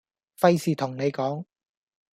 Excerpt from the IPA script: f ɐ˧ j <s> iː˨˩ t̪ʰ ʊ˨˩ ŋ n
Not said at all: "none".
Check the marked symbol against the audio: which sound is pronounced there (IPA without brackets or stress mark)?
s